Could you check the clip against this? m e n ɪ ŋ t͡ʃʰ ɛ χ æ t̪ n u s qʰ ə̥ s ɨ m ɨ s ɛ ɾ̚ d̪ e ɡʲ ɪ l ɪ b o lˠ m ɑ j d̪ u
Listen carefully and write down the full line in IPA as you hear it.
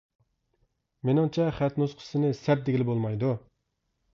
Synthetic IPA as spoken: m e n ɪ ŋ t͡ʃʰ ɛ χ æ t̪ n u s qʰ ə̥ s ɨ n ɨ s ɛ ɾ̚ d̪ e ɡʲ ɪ l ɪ b o lˠ m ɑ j d̪ u